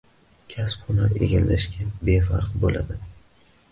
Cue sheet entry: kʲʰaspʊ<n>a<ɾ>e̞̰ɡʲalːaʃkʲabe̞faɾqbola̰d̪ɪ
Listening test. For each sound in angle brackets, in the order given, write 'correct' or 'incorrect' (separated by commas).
correct, correct